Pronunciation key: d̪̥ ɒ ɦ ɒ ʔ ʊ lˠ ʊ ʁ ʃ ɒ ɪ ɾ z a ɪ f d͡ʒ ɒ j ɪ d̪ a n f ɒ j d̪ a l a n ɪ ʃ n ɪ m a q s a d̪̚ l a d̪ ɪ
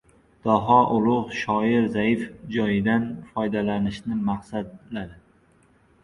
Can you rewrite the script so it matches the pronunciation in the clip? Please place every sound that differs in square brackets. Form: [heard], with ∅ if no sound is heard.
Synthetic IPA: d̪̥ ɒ ɦ ɒ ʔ ʊ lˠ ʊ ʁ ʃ ɒ ɪ ɾ z a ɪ f d͡ʒ ɒ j ɪ d̪ a n f ɒ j d̪ a l a n ɪ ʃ n ɪ m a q s a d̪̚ l a d̪ ɪ